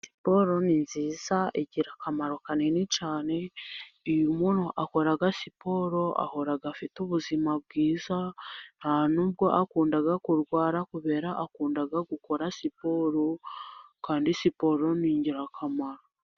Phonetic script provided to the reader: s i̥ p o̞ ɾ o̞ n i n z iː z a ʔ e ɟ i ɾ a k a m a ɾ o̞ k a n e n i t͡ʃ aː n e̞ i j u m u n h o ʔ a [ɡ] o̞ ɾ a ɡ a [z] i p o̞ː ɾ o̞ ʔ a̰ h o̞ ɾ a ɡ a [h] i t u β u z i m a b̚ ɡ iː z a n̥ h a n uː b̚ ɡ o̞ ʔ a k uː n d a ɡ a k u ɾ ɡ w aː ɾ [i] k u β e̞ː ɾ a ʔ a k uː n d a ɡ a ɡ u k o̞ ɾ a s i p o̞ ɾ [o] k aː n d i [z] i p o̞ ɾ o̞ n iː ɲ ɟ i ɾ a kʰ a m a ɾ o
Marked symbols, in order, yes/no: no, no, no, no, yes, no

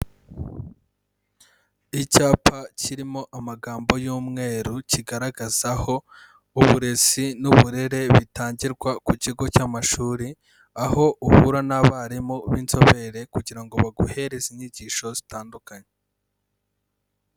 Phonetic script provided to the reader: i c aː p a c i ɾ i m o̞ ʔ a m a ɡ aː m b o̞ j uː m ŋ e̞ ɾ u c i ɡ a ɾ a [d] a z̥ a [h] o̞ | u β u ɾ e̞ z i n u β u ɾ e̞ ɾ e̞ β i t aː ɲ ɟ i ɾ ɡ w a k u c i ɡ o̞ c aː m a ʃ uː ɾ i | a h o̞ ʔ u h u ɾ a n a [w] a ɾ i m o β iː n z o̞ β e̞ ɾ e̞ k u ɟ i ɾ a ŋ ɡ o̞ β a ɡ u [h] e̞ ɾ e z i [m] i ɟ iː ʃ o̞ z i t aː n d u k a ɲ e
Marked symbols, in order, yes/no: no, yes, no, yes, no

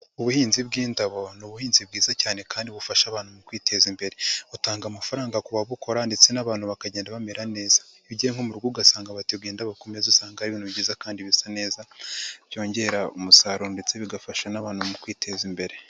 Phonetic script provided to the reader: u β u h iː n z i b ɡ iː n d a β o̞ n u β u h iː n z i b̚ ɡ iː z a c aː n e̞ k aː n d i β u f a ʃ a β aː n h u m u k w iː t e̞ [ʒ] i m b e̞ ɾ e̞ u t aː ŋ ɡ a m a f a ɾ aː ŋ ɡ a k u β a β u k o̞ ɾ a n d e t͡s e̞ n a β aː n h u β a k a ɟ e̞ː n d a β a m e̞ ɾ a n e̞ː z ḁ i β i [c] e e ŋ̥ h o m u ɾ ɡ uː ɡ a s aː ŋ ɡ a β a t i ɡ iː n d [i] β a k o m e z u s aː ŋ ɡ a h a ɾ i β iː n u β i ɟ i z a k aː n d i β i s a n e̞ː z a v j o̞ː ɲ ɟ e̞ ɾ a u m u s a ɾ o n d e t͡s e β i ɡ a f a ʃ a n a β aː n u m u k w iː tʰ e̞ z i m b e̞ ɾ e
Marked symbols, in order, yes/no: no, no, no

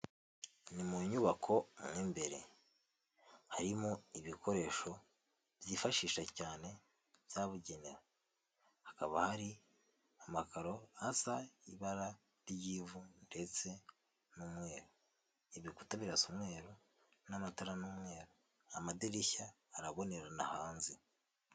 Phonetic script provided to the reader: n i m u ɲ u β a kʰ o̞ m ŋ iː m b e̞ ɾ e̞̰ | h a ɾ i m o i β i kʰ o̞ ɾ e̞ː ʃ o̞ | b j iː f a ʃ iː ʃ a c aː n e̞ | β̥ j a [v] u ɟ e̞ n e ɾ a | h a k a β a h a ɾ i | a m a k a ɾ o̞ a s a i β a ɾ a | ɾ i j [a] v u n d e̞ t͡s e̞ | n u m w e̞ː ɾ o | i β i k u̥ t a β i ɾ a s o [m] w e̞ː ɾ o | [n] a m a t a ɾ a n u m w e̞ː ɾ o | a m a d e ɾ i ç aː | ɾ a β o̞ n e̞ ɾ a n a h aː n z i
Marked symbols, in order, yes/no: no, no, yes, yes

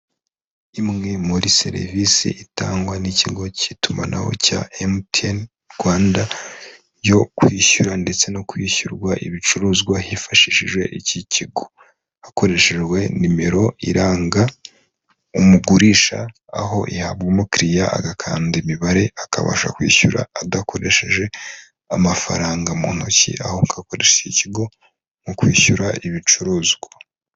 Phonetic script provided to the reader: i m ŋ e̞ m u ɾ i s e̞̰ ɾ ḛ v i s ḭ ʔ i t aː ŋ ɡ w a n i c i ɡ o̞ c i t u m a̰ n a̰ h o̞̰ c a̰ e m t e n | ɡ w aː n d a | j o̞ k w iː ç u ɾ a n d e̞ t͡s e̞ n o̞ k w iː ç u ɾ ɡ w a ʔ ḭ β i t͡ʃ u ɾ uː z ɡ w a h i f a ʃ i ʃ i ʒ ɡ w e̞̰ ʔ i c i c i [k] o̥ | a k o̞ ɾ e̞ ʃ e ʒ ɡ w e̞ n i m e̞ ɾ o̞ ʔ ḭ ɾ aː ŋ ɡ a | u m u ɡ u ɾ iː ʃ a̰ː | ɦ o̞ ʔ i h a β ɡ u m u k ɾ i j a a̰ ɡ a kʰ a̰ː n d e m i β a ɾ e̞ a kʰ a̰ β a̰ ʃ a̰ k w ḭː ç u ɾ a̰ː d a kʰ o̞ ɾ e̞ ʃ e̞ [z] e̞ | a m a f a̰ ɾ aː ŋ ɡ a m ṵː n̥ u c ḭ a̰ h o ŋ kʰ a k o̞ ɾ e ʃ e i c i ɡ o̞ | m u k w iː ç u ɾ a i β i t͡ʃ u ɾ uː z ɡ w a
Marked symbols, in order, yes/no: no, no

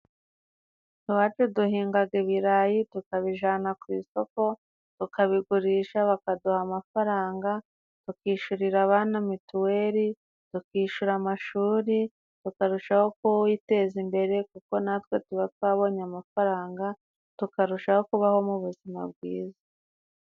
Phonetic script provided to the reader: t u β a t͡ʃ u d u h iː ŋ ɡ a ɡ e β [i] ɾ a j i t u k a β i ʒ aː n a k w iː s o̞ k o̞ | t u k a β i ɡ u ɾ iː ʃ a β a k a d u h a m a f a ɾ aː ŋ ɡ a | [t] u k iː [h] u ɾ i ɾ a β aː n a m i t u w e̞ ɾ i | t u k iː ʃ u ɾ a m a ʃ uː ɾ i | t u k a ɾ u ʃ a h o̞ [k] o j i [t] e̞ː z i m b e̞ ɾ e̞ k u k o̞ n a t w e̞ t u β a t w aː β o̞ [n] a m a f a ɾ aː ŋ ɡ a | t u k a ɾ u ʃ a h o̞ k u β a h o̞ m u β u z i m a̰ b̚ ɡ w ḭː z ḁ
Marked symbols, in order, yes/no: yes, yes, no, yes, yes, no

